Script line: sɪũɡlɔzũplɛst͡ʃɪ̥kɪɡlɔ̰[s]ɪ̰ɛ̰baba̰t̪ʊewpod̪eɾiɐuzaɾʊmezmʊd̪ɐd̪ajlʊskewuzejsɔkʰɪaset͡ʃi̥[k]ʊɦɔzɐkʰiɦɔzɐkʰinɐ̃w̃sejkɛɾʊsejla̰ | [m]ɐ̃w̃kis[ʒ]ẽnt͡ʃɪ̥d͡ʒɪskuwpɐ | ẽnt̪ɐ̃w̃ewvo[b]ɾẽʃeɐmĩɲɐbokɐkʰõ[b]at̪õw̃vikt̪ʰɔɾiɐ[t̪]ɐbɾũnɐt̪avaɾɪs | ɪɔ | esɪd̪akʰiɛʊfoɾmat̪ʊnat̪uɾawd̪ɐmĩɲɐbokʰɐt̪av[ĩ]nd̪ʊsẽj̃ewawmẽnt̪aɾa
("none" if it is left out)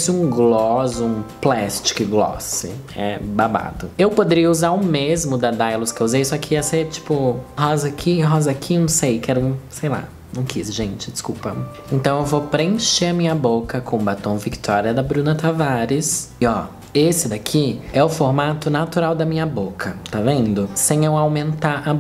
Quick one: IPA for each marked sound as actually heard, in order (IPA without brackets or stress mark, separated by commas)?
s, p, n, ʒ, p, b, d̪, ẽ